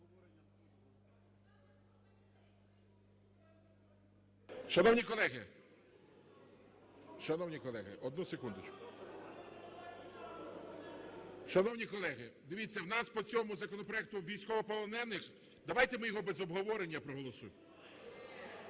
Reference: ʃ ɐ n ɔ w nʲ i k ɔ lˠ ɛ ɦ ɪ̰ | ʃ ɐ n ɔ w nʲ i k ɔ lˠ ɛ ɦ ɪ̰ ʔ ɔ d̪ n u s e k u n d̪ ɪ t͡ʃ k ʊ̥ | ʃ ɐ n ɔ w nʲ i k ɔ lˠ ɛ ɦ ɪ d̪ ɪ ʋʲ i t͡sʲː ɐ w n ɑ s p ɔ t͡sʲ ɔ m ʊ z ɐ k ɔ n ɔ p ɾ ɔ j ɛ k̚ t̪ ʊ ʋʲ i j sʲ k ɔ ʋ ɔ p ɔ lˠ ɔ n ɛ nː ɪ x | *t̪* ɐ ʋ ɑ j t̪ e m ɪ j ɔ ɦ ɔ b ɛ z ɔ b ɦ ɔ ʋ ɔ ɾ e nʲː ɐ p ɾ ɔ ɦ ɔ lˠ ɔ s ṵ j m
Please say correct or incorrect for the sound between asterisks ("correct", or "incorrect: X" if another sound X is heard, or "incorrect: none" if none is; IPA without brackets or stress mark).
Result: incorrect: d̪